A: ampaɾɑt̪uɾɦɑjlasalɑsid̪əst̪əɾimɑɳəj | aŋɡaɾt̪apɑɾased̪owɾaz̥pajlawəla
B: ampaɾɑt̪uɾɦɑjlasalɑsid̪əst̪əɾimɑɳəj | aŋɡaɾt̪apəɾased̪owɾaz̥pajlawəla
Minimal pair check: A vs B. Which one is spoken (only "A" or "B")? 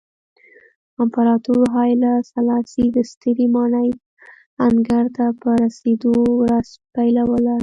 B